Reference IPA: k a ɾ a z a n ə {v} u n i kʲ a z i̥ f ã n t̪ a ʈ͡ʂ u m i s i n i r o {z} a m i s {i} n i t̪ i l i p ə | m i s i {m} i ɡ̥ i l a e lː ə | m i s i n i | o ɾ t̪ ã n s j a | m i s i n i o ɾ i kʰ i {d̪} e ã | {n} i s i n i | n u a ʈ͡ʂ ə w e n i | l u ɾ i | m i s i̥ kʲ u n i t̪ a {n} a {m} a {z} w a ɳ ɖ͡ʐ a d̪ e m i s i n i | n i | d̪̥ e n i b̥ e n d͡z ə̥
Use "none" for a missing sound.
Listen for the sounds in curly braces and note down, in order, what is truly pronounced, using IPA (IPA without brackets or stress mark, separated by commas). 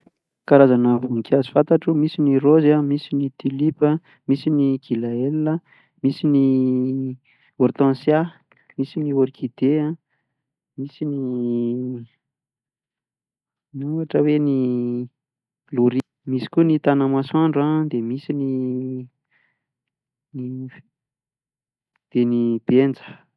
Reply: v, z, i, n, d̪, m, n, m, s